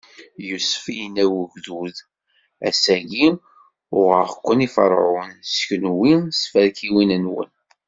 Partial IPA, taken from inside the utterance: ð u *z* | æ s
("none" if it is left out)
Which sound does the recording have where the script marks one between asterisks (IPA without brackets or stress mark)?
ð